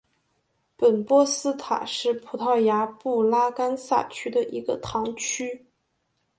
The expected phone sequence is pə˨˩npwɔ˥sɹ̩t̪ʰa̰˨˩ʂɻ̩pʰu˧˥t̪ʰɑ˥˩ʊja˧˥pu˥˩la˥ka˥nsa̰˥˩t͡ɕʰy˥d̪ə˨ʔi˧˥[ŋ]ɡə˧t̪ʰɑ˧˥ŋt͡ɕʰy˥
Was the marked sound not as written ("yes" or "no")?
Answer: yes